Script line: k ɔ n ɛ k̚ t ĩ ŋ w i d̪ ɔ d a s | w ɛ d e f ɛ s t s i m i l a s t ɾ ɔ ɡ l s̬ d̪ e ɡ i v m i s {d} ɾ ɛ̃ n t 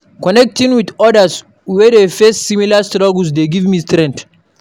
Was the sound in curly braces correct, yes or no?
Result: no